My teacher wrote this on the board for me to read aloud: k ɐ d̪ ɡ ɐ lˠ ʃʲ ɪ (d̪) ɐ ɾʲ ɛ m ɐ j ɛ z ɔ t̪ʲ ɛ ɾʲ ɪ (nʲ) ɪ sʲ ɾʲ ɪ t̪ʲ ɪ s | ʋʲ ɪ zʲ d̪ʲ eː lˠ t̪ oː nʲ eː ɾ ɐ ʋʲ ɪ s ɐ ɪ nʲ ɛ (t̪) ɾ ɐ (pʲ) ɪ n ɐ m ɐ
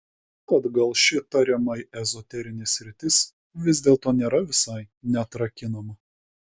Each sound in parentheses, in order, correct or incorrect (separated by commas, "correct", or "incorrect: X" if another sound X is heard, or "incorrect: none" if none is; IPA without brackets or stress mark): incorrect: t̪, correct, correct, incorrect: kʲ